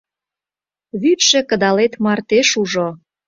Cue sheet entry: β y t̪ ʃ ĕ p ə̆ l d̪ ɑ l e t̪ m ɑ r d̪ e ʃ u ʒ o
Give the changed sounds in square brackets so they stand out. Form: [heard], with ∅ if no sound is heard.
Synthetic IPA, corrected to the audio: β y t̪ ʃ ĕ [k] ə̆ [∅] d̪ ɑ l e t̪ m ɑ r [t̪] e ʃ u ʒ o